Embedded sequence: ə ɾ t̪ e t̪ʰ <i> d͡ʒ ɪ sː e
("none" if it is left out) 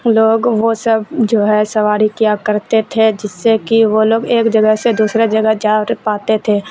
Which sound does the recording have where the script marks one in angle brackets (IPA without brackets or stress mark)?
e